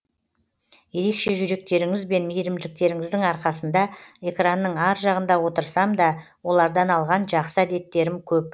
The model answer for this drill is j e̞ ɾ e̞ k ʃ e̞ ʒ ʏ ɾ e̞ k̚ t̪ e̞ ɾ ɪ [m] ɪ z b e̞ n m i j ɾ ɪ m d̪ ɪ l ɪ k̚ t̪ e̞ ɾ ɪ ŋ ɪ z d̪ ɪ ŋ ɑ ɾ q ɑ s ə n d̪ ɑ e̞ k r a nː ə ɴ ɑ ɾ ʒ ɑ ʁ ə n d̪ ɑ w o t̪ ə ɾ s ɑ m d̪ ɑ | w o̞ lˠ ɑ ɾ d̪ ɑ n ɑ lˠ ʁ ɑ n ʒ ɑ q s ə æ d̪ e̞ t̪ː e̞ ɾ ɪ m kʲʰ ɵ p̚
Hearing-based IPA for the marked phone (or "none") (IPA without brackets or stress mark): ŋ